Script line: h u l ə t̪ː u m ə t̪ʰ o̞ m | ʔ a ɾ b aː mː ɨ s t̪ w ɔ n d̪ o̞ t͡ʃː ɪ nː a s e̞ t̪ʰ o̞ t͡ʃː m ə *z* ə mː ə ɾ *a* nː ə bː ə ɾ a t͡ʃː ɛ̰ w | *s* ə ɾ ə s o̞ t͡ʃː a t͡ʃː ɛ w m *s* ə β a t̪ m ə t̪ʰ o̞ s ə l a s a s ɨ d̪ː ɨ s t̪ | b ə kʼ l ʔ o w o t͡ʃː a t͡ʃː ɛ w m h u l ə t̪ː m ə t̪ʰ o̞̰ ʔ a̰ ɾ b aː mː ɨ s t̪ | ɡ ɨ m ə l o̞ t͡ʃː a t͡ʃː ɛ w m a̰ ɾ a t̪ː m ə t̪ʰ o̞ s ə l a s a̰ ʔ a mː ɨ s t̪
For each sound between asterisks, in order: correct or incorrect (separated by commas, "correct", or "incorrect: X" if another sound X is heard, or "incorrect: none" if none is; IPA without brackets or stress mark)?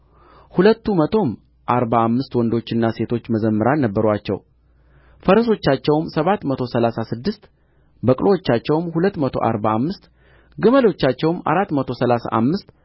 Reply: correct, correct, incorrect: f, correct